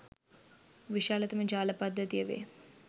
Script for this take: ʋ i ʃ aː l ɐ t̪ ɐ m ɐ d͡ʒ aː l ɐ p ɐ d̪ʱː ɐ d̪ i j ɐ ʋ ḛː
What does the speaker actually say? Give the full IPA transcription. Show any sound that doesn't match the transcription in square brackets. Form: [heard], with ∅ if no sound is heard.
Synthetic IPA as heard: ʋ i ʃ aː l ɐ t̪ ɐ m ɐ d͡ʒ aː l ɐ p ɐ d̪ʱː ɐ [t̪] i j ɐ ʋ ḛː

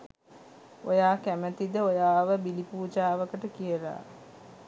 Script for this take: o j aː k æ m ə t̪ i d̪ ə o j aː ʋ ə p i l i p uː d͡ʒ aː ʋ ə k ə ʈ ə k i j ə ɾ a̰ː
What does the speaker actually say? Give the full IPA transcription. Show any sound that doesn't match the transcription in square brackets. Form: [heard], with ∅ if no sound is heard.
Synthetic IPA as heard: o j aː k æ m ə t̪ i d̪ ə o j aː ʋ ə [b] i l i p uː d͡ʒ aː ʋ ə k ə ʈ ə k i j ə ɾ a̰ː

